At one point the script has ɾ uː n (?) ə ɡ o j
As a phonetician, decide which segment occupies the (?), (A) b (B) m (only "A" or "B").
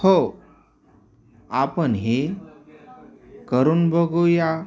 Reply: A